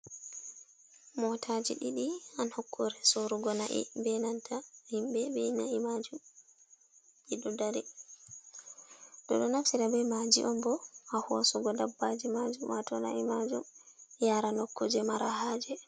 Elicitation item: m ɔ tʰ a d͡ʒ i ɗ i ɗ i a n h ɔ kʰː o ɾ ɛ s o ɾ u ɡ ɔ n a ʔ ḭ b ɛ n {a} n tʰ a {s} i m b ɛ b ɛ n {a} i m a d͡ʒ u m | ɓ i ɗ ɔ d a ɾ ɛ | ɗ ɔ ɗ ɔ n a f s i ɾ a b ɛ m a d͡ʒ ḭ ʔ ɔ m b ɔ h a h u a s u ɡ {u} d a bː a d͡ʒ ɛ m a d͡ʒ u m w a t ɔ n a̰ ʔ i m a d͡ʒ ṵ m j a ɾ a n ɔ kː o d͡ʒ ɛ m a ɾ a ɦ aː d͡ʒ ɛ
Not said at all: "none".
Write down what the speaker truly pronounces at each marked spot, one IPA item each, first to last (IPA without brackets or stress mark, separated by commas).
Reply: a, h, a, ɔ